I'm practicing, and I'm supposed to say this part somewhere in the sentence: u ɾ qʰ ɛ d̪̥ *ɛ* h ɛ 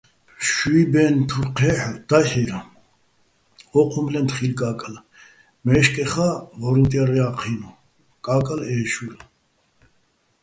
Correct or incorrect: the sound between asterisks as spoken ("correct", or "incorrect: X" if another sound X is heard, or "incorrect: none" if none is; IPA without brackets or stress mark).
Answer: incorrect: a